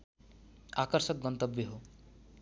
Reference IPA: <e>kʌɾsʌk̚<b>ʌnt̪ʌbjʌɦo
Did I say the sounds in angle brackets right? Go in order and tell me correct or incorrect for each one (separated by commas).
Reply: incorrect, incorrect